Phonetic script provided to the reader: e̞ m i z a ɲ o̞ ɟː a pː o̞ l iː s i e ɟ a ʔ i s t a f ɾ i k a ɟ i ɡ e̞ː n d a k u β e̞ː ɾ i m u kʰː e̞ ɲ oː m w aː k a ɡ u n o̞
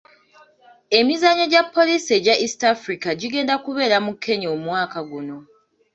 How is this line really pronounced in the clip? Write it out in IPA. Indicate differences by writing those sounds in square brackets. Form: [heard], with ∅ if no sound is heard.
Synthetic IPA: e̞ m i z a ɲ o̞ [ɟ] a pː o̞ l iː s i e ɟ a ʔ i s t a f ɾ i k a ɟ i ɡ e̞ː n d a k u β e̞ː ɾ [a] m u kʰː e̞ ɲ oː m w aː k a ɡ u n o̞